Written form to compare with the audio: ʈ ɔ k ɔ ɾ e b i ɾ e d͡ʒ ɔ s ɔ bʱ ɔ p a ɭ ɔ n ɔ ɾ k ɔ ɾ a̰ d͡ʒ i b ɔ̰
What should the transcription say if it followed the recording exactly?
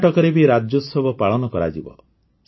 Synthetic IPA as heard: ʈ ɔ k ɔ ɾ e b i ɾ a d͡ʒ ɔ s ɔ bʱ ɔ p a ɭ ɔ n ɔ k ɔ ɾ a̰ d͡ʒ i b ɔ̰